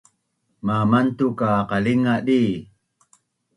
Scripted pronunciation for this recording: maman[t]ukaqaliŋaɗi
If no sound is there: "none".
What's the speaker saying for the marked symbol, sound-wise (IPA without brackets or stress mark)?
t